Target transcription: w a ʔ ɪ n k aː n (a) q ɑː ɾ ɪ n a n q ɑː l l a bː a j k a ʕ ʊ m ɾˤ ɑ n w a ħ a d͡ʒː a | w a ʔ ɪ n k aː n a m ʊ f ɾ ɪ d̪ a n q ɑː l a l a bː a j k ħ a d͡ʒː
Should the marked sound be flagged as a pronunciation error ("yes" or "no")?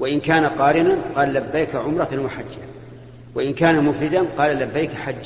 no